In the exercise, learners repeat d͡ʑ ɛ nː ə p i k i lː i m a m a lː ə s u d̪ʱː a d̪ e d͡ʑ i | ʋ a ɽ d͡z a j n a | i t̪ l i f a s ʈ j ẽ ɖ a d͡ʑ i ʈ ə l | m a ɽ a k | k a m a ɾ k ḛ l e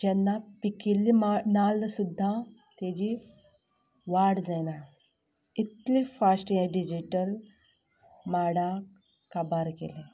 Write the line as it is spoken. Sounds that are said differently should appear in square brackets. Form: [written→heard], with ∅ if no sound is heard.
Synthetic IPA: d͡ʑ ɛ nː [ə→a] p i k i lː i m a [m→n] a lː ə s u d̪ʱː a [d̪→t̪] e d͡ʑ i | ʋ a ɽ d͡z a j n a | i t̪ l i f a s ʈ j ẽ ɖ [a→i] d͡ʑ i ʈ ə l | m a ɽ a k | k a [m→b] a ɾ k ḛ l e